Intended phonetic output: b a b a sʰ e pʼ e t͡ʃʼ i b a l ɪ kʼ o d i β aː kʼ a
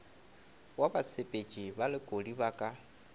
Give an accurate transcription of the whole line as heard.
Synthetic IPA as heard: w a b a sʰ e pʼ e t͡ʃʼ i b a l ɪ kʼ o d i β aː kʼ a